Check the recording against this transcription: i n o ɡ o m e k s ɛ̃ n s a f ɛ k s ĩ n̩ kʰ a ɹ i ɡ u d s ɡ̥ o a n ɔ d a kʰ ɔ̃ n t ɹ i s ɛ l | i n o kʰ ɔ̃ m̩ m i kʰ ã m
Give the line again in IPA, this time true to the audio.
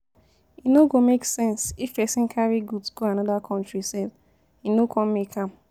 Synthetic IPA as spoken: i n o ɡ o m e k s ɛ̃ n s i f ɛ s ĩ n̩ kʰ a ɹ i ɡ u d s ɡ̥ o a n ɔ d a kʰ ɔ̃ n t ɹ i s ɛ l | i n o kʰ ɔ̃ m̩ m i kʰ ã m